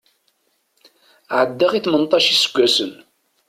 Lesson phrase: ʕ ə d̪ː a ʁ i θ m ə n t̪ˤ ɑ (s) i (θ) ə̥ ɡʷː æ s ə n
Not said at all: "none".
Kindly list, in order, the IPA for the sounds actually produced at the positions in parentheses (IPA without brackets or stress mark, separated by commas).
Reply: ʃ, s